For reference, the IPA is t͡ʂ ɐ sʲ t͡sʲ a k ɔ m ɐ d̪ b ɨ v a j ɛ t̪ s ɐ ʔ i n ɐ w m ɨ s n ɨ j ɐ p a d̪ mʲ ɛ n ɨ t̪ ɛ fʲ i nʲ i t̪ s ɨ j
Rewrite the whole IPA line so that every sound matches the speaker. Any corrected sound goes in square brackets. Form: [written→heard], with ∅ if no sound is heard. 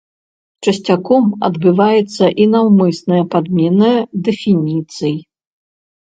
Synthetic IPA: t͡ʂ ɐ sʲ t͡sʲ a k ɔ m ɐ d̪ b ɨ v a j ɛ t̪ [s→sː] ɐ ʔ i n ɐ w m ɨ s n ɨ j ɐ p a d̪ mʲ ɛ n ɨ [t̪→d̪] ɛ fʲ i nʲ i t̪ s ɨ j